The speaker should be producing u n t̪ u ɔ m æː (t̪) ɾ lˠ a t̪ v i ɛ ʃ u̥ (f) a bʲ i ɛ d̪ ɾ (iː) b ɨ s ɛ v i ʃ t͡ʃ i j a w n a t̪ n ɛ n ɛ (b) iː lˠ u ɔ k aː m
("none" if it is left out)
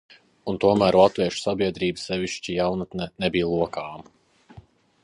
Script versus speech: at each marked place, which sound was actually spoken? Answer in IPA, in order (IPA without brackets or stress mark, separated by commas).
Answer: none, s, iː, b